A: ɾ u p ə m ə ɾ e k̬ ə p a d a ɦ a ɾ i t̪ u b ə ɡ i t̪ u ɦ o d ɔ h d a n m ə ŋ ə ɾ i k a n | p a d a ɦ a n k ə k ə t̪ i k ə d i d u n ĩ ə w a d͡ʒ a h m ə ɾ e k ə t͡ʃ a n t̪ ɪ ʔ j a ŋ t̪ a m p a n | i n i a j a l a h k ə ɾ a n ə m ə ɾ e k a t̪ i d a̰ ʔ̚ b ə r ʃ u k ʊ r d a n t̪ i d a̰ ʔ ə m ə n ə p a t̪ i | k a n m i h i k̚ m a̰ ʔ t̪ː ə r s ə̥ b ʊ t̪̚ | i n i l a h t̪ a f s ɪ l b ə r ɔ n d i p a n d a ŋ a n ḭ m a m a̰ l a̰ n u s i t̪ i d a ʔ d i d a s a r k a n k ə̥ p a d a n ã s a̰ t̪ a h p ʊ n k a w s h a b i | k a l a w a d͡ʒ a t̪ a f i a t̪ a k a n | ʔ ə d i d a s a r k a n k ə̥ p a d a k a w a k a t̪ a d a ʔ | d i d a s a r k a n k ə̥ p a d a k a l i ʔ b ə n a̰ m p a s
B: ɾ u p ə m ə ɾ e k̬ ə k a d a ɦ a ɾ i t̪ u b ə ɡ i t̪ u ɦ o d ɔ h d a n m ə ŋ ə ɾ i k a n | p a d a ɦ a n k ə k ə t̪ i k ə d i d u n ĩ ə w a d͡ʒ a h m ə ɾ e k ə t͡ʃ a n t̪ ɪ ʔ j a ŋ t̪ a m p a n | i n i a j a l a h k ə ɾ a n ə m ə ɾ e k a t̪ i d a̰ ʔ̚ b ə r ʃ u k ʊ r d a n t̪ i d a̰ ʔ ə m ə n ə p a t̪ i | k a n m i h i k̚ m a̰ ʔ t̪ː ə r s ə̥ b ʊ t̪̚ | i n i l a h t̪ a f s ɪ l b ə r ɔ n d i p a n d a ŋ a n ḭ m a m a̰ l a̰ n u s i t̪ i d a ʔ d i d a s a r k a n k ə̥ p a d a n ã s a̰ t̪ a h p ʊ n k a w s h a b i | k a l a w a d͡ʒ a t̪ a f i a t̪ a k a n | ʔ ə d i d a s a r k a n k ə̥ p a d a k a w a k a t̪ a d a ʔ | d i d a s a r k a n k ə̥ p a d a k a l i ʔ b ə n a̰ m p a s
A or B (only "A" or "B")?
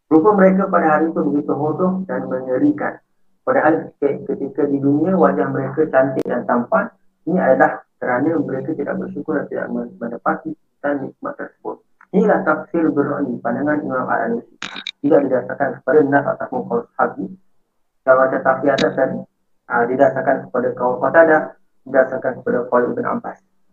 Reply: A